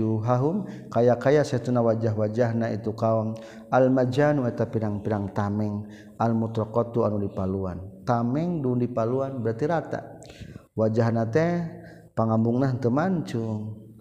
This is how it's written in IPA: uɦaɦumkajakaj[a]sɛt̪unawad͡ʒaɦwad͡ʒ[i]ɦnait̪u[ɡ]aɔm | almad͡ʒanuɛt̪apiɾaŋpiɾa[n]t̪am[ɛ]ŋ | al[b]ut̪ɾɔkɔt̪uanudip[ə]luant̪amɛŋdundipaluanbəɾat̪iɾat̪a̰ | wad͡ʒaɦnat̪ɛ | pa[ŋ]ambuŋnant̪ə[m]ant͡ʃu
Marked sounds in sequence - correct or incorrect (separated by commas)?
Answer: correct, incorrect, incorrect, incorrect, correct, incorrect, incorrect, correct, correct